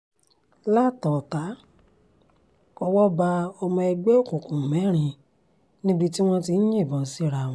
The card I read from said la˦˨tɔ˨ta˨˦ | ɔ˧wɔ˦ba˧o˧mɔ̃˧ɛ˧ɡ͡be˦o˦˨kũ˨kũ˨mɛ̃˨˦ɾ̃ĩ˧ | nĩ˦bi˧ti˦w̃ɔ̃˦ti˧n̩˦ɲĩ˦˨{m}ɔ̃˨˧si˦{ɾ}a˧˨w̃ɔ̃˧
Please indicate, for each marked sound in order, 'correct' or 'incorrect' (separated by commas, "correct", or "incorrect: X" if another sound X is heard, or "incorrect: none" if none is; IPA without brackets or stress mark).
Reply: incorrect: b, correct